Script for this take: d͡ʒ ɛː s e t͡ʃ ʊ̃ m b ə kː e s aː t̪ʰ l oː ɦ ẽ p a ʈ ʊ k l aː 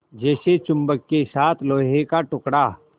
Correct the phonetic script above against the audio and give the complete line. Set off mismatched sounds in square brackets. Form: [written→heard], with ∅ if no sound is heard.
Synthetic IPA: d͡ʒ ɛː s e t͡ʃ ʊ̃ m b ə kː e s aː t̪ʰ l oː ɦ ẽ [p→k] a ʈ ʊ k [l→ɽ] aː